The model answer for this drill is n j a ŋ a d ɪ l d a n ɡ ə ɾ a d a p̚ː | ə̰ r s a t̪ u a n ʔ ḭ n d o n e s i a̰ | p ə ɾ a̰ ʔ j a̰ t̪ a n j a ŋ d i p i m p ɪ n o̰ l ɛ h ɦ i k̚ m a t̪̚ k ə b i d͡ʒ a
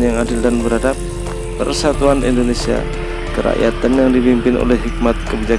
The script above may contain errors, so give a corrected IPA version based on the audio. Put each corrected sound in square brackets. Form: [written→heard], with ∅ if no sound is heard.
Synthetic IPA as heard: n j a ŋ a d ɪ l d a n [ɡ→b] ə ɾ a d a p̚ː | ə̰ r s a t̪ u a n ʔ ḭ n d o n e s i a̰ | [p→k] ə ɾ a̰ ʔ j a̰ t̪ a n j a ŋ d i p i m p ɪ n o̰ l ɛ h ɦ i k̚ m a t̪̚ k ə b i d͡ʒ a